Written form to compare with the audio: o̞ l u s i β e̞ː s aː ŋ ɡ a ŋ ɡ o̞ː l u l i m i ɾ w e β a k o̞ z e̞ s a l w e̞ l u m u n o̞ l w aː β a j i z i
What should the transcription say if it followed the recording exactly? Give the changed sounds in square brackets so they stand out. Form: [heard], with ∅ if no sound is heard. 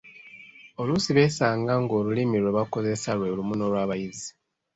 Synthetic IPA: o̞ l u s i β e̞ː s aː ŋ ɡ a ŋ ɡ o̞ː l u l i m i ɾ w e β a k o̞ z e̞ s a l w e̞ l u m u n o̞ l w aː β a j i z i